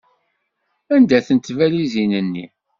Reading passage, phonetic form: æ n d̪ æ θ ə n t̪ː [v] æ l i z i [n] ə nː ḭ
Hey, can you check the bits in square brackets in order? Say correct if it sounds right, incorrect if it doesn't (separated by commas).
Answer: correct, correct